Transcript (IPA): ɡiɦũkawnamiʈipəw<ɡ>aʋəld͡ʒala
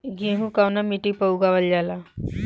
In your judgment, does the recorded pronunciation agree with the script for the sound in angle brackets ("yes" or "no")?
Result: yes